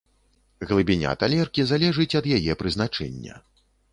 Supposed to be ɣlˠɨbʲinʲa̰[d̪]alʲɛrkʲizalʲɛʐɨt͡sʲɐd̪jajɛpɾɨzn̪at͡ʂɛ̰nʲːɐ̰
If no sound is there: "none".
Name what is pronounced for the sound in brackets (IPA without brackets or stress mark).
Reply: t̪